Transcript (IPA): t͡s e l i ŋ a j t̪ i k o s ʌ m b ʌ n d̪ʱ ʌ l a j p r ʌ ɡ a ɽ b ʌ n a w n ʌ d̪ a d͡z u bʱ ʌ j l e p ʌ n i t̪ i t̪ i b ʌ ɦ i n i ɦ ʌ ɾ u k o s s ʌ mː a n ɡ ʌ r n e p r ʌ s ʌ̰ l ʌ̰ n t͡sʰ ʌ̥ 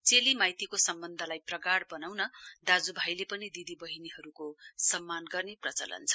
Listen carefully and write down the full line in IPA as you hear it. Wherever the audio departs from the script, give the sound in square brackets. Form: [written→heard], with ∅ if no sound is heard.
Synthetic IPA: t͡s e l i [ŋ→m] a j t̪ i k o s ʌ m b ʌ n d̪ʱ ʌ l a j p r ʌ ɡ a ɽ b ʌ n a w n ʌ d̪ a d͡z u bʱ [ʌ→a] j l e p ʌ n i [t̪→d̪] i [t̪→d̪] i b ʌ ɦ i n i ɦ ʌ ɾ u k o s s ʌ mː a n ɡ ʌ r n e p r ʌ [s→t͡s] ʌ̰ l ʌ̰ n t͡sʰ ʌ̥